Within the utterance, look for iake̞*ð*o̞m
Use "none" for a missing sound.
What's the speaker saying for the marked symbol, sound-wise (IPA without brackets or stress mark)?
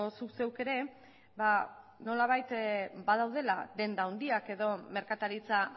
ð